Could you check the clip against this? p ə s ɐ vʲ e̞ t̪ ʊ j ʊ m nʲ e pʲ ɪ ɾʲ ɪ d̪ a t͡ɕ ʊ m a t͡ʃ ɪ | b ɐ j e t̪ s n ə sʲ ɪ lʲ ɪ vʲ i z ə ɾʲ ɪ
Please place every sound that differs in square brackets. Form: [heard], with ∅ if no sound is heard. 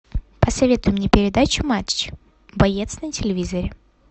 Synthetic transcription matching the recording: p ə s ɐ vʲ e̞ t̪ ʊ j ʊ m nʲ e pʲ ɪ ɾʲ ɪ d̪ a t͡ɕ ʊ m a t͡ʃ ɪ | b ɐ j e t̪ s n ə [tʲ] ɪ lʲ ɪ vʲ i z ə ɾʲ ɪ